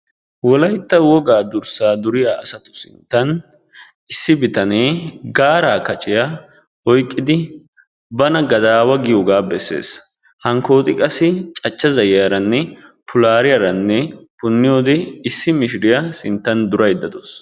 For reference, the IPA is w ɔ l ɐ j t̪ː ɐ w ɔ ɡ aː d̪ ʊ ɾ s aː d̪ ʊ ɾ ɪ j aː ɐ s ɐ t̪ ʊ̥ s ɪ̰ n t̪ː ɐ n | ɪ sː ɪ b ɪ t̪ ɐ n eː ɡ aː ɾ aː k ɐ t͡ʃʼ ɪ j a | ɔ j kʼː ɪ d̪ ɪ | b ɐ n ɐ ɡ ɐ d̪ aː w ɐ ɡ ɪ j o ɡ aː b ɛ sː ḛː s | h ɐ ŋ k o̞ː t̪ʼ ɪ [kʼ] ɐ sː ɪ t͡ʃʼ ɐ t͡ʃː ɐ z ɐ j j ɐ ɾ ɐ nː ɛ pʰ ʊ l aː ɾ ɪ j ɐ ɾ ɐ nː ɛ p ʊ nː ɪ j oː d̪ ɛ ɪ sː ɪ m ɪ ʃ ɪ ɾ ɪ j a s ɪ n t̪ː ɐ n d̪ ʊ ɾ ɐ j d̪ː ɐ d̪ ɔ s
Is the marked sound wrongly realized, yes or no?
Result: no